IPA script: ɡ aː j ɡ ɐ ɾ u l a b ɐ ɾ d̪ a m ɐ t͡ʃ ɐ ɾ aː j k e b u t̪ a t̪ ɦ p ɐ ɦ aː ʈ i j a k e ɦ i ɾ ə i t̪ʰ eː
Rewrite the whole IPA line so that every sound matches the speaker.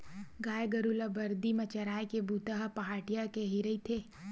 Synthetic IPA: ɡ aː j ɡ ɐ ɾ u l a b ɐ ɾ d̪ i m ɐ t͡ʃ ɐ ɾ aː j k e b u t̪ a ɦ p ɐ ɦ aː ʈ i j a k e ɦ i ɾ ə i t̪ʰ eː